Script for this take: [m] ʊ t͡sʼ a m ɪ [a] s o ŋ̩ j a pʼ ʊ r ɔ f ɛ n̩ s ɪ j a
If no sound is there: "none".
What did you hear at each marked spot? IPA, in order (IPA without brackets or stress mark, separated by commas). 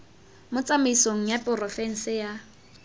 m, i